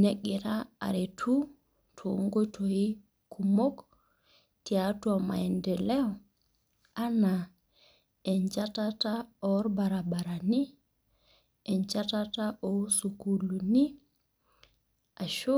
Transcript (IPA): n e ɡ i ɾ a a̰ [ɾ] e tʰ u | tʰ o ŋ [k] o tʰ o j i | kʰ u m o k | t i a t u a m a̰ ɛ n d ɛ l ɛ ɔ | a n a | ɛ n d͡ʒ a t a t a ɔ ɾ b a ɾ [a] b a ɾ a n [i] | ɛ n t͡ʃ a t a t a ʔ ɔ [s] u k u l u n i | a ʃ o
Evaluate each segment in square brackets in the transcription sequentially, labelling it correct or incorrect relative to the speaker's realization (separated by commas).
correct, incorrect, correct, correct, correct